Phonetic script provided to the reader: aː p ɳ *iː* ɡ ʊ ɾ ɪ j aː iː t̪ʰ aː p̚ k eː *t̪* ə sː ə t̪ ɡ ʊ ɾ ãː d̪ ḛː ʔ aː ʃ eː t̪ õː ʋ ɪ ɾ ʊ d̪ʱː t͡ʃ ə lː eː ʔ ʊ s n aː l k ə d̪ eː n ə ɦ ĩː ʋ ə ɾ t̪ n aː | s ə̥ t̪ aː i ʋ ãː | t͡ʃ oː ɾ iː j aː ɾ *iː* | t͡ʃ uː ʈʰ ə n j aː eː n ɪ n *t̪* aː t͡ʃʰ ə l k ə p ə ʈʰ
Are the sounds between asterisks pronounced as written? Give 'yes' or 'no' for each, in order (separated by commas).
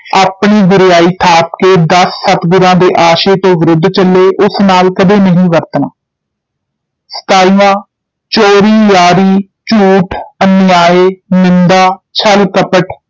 yes, no, yes, no